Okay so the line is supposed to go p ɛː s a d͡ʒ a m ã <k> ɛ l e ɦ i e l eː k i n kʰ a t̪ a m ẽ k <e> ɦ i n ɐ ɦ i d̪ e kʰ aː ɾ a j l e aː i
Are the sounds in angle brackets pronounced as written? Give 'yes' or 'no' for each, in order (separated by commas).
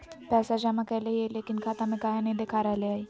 yes, no